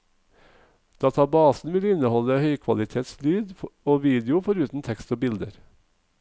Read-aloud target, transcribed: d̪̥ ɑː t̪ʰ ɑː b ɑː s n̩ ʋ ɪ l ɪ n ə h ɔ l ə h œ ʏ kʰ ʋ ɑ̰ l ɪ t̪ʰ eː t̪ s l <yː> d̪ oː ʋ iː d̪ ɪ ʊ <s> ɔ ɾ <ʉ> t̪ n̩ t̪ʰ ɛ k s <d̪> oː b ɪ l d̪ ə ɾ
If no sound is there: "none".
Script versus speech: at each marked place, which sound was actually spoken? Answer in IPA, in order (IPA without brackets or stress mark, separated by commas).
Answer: yː, f, ʉː, t̪